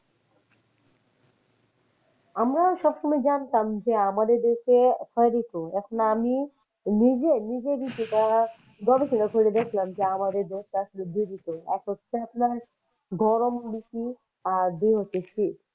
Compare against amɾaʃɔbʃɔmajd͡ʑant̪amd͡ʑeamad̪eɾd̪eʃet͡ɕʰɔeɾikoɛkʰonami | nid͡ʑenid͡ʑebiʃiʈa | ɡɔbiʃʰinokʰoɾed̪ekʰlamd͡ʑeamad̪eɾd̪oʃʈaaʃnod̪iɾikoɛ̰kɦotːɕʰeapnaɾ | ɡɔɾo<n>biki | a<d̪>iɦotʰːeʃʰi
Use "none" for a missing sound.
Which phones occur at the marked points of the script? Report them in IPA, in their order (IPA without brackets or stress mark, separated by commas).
m, d̪